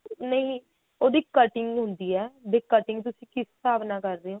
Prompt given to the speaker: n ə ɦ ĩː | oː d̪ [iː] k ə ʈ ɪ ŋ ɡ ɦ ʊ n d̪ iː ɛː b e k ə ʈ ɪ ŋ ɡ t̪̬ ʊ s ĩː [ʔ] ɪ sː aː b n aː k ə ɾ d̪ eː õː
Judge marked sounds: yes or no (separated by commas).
yes, no